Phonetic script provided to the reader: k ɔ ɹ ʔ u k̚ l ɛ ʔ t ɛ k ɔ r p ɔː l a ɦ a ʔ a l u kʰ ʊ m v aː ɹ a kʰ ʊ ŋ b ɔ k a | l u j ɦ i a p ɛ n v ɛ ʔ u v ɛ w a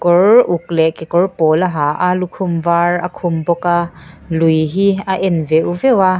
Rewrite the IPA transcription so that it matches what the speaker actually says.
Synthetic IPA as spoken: k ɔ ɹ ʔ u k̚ l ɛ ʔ k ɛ k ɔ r p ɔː l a ɦ a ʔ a l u kʰ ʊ m v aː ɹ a kʰ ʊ m b ɔ k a | l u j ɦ i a ʔ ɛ n v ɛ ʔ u v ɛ w a